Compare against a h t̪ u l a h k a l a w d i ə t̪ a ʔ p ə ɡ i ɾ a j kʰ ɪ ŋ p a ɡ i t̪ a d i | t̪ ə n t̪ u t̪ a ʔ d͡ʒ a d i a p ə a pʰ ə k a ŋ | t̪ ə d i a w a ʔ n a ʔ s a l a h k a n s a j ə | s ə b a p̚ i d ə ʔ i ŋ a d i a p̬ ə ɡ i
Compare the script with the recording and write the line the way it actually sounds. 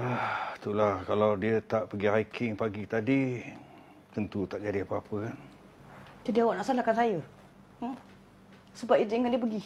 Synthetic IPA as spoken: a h t̪ u l a h k a l a w d i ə t̪ a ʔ p ə ɡ i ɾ a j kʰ ɪ ŋ p a ɡ i t̪ a d i | t̪ ə n t̪ u t̪ a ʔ d͡ʒ a d i a p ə a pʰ ə k a n | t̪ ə d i a w a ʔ n a ʔ s a l a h k a n s a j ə | s ə b a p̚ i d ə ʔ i ŋ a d i ə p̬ ə ɡ i